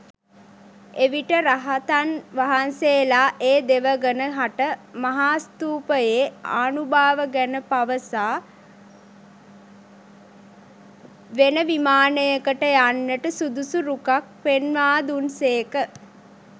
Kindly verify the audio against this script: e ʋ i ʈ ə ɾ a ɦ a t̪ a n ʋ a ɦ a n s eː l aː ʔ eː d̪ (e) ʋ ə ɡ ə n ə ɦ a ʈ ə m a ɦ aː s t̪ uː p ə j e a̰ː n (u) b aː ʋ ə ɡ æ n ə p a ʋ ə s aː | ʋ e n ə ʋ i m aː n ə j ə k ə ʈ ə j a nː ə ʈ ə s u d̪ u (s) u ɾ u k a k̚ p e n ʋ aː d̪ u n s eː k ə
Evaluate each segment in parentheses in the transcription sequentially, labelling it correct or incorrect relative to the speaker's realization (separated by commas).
correct, correct, correct